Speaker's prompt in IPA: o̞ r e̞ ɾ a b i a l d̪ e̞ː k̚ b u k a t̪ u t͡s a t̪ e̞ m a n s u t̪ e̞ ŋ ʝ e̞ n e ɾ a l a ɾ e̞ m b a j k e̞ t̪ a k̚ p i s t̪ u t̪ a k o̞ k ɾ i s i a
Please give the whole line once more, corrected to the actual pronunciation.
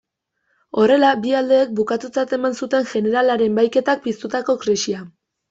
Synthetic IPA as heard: o̞ r e̞ l a b i a l d̪ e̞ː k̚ b u k a t̪ u t͡s a t̪ e̞ m a n s u t̪ e̞ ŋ ʝ e̞ n e ɾ a l a ɾ e̞ m b a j k e̞ t̪ a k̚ p i s t̪ u t̪ a k o̞ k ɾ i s i a